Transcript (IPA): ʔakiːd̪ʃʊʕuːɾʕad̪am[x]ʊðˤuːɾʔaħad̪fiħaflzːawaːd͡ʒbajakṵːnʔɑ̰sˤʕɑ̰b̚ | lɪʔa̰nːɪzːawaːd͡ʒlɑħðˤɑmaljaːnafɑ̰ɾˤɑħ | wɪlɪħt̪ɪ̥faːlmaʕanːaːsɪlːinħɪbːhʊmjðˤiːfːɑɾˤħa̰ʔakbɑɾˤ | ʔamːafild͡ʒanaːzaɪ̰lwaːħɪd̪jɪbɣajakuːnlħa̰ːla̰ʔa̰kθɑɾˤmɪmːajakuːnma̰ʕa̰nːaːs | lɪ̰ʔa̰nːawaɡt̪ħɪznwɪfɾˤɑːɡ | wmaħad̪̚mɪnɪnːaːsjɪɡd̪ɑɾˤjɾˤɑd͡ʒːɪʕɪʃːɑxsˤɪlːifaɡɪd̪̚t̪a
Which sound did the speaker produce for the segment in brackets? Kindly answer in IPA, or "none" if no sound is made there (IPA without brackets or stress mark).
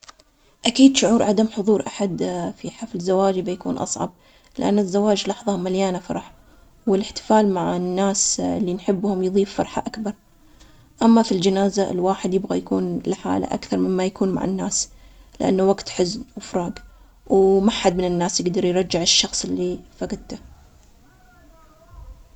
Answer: ħ